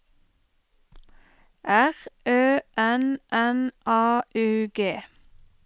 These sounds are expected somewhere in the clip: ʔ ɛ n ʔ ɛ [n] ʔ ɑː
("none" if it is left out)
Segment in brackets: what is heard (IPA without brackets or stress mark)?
n